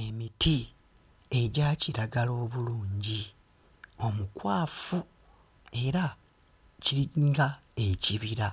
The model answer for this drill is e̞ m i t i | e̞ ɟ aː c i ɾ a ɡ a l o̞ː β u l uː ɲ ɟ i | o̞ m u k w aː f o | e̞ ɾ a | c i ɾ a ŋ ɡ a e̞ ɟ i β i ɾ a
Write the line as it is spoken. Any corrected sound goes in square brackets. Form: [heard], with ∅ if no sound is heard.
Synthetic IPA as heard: e̞ m i t i | e̞ ɟ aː c i ɾ a ɡ a l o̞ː β u l uː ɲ ɟ i | o̞ m u k w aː f [u] | e̞ ɾ a | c i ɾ [i] ŋ ɡ a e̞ [c] i β i ɾ a